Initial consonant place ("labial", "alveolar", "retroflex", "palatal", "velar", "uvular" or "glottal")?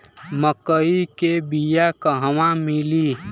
labial